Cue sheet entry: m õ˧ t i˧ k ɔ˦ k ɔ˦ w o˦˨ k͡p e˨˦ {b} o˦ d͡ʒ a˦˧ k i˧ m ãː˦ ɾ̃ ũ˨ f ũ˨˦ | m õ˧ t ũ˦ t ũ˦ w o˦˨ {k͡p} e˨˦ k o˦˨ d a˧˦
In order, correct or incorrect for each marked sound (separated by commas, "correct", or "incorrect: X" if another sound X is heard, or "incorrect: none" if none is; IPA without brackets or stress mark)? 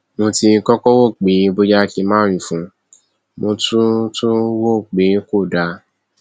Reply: correct, correct